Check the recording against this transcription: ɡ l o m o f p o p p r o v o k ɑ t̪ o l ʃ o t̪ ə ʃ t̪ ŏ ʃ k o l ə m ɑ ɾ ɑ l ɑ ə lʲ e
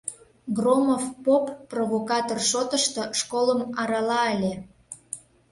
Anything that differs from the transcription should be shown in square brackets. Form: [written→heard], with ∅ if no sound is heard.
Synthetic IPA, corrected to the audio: ɡ [l→r] o m o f p o p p r o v o k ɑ t̪ o [l→r] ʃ o t̪ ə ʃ t̪ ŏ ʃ k o l ə m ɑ ɾ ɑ l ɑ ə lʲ e